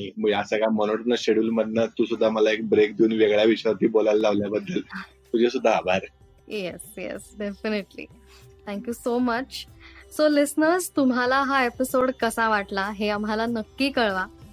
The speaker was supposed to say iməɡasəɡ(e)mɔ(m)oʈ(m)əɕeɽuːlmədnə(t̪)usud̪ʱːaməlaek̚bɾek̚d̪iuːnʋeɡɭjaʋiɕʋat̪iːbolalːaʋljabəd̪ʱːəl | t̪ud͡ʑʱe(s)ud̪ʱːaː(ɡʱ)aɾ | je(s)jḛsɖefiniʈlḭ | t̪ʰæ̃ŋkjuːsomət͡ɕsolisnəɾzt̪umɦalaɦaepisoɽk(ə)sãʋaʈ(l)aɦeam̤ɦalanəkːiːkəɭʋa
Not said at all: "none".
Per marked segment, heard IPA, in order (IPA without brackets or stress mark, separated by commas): a, n, n, t̪, s, bʱ, s, ə, l